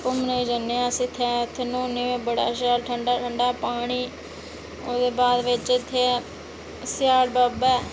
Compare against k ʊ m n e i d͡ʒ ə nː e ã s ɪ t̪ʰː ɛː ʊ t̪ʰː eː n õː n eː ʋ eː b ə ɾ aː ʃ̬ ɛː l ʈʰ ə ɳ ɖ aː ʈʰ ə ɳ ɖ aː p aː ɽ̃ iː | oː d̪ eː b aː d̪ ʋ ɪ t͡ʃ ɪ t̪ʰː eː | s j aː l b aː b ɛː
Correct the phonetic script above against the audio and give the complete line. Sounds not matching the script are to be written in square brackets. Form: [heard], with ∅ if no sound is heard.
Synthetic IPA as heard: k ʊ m n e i d͡ʒ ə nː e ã s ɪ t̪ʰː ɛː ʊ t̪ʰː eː n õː n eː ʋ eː b ə [ɽ] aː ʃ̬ [aː] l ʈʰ ə ɳ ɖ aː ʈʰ ə ɳ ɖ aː p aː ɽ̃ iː | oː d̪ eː b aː d̪ ʋ ɪ t͡ʃ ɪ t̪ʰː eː | s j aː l b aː b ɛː

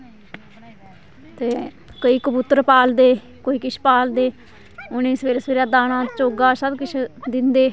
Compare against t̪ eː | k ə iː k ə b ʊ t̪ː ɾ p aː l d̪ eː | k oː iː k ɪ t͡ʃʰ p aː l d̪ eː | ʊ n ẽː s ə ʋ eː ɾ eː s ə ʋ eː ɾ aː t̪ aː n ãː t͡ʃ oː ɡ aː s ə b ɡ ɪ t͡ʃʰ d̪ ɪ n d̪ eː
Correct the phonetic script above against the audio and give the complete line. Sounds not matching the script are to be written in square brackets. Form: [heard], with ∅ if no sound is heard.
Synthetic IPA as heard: t̪ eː | k ə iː k ə b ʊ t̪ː ɾ p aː l d̪ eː | k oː iː k ɪ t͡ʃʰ p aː l d̪ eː | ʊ n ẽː s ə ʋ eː ɾ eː s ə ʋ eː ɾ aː [d̪] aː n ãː t͡ʃ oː ɡ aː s ə b [k] ɪ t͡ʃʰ d̪ ɪ n d̪ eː

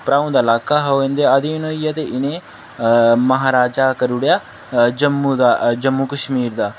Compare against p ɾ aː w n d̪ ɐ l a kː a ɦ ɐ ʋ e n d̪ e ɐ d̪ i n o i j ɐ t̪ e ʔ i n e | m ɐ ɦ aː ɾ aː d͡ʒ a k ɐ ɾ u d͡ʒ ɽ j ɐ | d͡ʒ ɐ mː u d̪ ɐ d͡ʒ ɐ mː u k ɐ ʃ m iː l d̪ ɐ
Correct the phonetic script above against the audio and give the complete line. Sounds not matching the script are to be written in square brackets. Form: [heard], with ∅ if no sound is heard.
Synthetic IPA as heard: p ɾ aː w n d̪ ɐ l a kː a ɦ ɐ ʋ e n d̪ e ɐ d̪ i n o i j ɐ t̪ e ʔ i n e | m ɐ ɦ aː ɾ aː d͡ʒ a k ɐ ɾ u [∅] ɽ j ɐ | d͡ʒ ɐ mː u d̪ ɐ d͡ʒ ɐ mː u k ɐ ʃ m iː [ɾ] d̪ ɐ

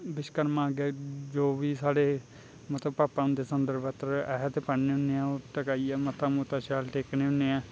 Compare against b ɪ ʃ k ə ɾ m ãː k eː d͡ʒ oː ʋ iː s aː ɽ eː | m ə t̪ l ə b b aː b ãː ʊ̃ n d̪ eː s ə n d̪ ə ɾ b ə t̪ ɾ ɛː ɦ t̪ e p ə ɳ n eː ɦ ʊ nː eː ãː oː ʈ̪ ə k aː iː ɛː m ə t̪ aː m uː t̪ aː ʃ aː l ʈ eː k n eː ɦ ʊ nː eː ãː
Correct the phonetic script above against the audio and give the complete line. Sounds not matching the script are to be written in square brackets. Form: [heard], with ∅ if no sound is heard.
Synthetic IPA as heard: b ɪ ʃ k ə ɾ m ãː [ɡ] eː d͡ʒ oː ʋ iː s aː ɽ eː | m ə t̪ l ə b [p] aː [p] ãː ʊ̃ n d̪ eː s ə n d̪ ə ɾ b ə t̪ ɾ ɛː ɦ t̪ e p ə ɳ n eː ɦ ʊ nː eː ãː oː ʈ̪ ə k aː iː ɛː m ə t̪ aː m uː t̪ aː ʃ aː l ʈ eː k n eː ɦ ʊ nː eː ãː

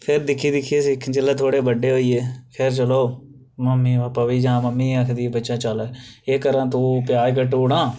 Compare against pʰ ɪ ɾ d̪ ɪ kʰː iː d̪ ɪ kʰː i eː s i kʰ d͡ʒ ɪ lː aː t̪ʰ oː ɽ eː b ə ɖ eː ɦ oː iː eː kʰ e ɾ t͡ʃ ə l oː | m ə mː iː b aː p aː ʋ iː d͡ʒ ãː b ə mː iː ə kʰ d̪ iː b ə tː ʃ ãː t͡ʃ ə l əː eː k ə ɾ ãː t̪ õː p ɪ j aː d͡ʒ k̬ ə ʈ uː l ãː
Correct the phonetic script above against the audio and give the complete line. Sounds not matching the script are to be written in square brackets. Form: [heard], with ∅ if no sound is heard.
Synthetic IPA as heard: pʰ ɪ ɾ d̪ ɪ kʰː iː d̪ ɪ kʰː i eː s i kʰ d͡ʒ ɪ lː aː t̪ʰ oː ɽ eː b ə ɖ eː ɦ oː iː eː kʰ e ɾ t͡ʃ ə l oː | m ə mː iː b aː p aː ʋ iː d͡ʒ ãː [m] ə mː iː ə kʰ d̪ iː b ə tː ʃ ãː t͡ʃ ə l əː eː k ə ɾ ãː t̪ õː p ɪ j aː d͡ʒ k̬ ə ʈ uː [ɽ] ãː

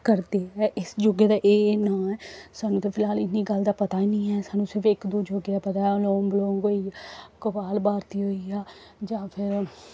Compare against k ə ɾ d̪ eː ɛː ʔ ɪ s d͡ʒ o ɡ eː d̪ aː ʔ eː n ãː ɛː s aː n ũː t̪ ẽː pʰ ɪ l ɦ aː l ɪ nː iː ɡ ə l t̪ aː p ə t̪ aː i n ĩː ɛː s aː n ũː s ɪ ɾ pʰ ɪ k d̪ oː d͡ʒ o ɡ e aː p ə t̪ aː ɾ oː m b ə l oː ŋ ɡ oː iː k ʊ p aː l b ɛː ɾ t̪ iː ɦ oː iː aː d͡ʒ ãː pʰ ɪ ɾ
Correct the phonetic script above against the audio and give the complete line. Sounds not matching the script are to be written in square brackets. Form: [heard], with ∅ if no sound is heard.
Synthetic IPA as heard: k ə ɾ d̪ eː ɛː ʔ ɪ s d͡ʒ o ɡ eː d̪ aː ʔ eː n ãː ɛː s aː n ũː t̪ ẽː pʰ ɪ l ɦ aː l ɪ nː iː ɡ ə l [d̪] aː p ə t̪ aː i n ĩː ɛː s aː n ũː s ɪ ɾ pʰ ɪ k d̪ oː d͡ʒ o ɡ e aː p ə t̪ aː [l] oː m b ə l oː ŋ ɡ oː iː k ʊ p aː l b [aː] ɾ t̪ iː ɦ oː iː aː d͡ʒ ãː pʰ ɪ ɾ

